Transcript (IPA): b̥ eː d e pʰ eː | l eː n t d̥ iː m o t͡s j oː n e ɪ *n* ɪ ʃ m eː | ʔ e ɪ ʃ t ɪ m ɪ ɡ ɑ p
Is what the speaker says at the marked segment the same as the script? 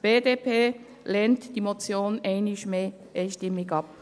yes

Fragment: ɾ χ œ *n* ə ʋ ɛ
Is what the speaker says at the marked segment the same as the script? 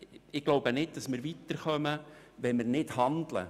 no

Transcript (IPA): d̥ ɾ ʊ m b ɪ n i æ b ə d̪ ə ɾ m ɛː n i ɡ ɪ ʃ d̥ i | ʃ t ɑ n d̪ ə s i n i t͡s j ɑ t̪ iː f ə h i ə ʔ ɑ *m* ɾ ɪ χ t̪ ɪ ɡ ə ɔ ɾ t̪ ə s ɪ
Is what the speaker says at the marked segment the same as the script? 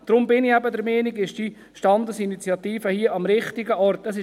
yes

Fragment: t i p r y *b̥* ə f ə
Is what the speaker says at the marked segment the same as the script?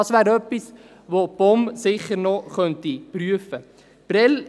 no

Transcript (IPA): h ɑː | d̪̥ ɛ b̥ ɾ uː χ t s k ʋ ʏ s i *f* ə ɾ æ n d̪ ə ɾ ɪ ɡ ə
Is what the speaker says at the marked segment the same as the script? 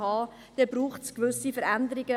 yes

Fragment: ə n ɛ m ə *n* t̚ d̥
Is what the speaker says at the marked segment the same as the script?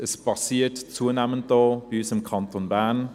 yes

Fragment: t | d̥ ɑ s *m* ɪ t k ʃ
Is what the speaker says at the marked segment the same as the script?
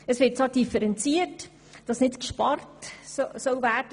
no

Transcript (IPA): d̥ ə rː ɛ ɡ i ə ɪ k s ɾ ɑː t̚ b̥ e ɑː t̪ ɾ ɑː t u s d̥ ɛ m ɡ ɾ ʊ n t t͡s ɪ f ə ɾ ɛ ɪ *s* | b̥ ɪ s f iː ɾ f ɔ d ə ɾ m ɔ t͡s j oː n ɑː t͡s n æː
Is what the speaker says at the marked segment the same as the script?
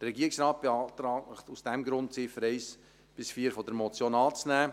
yes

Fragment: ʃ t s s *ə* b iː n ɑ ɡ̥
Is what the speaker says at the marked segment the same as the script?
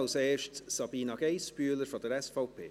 no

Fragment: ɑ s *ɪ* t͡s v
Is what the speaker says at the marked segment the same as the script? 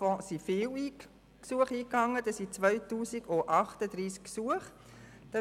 no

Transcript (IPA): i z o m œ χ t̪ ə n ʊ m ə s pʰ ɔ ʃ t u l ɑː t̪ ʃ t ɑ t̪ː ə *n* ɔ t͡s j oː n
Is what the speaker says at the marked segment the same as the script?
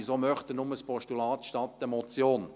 no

